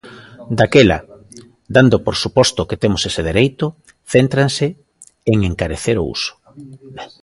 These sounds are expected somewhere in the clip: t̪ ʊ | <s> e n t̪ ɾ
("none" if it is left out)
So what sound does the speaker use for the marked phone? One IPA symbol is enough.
θ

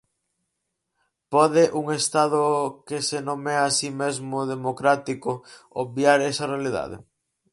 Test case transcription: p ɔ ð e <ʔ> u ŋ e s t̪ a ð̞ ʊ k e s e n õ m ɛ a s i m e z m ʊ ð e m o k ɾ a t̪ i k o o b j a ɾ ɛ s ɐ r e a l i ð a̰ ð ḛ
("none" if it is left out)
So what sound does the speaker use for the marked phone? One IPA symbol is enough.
ʔ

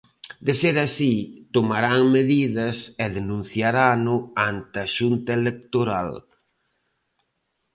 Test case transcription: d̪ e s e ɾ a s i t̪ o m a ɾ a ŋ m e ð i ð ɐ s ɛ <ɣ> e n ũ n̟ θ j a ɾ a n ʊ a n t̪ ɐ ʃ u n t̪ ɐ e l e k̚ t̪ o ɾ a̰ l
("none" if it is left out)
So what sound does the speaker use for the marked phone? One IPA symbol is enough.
ð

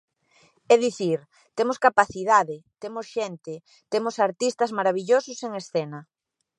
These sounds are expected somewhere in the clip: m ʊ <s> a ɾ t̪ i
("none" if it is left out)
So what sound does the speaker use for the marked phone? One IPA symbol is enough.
s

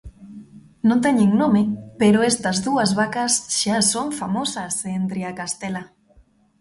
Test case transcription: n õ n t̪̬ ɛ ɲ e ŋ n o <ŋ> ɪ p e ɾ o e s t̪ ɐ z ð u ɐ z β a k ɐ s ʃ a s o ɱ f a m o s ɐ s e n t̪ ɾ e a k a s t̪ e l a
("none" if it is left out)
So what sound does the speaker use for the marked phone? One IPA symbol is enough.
m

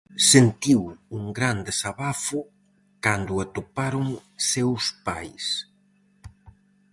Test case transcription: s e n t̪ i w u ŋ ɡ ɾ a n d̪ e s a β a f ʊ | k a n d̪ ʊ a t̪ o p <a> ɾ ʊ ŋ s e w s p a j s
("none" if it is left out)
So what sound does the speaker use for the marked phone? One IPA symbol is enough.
a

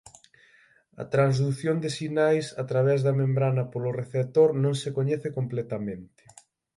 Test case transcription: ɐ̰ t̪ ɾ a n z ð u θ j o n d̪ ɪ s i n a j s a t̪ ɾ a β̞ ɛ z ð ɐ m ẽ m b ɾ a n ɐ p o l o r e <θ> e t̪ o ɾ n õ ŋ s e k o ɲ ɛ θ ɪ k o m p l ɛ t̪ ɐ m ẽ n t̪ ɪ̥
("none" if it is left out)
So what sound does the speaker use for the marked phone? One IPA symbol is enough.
θ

